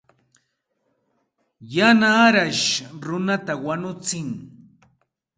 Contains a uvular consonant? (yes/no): no